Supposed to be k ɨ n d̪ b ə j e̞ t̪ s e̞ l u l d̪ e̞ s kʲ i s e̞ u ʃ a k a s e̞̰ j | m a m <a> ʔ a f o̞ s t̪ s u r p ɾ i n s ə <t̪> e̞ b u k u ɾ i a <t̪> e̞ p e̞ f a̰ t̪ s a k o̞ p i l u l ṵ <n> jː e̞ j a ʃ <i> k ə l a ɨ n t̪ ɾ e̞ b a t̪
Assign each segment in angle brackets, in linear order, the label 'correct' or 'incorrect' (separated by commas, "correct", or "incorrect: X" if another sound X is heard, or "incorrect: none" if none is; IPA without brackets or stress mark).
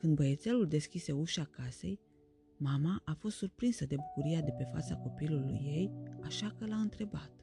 correct, incorrect: d̪, incorrect: d̪, incorrect: none, incorrect: a